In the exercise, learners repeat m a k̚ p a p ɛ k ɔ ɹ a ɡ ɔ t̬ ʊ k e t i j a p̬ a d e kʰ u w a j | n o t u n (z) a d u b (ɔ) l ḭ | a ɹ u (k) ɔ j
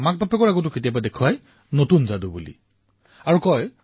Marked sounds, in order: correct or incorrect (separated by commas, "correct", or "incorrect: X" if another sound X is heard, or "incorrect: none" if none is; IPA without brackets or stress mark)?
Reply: correct, incorrect: u, correct